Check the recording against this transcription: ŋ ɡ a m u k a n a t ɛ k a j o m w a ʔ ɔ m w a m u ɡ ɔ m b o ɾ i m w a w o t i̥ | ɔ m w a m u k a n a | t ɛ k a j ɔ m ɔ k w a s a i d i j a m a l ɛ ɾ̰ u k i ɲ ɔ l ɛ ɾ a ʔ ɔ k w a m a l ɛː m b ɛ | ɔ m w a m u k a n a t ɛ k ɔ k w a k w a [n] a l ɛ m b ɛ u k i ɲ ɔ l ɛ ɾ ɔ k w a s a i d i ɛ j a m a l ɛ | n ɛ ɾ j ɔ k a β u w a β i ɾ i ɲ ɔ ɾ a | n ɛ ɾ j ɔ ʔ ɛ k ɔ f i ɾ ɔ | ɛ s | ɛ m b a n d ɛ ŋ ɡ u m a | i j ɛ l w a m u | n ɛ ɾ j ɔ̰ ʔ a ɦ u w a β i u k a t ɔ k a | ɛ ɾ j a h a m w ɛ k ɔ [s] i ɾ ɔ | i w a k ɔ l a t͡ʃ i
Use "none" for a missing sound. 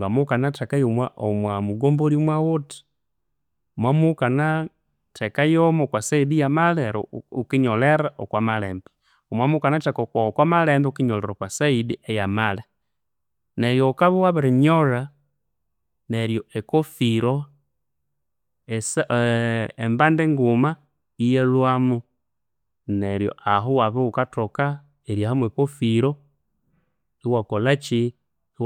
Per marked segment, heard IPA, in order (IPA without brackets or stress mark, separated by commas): m, f